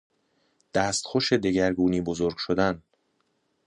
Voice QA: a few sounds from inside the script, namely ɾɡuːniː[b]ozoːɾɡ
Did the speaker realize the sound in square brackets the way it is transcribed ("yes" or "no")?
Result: yes